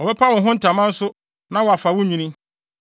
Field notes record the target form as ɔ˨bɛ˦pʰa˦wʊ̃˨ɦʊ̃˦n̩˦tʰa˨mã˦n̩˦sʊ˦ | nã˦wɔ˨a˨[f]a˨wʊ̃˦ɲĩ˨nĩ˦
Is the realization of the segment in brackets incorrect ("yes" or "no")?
no